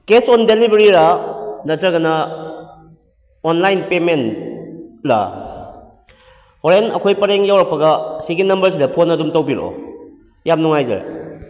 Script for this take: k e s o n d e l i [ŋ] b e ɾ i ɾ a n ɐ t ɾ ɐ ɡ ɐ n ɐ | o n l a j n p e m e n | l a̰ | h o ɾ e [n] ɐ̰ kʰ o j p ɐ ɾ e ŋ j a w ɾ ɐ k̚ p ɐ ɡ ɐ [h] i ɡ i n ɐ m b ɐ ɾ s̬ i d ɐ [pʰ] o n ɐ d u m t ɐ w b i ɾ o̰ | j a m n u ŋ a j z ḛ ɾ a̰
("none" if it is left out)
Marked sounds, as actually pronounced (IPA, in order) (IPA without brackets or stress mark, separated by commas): none, n, s, pʰ